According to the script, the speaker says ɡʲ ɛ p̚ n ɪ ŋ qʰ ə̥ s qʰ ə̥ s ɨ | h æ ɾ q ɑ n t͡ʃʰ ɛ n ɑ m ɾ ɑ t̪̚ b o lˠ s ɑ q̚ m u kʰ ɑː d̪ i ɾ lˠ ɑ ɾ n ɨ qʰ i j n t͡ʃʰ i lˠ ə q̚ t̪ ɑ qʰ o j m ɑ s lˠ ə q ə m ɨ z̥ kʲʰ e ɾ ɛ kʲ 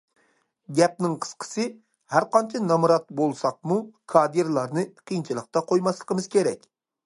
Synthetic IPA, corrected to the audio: ɡʲ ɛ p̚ n ɪ ŋ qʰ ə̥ s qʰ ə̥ s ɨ | h æ ɾ q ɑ n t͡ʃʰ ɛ n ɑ m ɾ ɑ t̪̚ b o lˠ s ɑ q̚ m u kʰ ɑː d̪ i ɾ lˠ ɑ ɾ n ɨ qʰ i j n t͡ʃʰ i lˠ ə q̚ t̪ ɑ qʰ o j m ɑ s lˠ ə q ə m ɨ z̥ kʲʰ e ɾ ɛ kʲ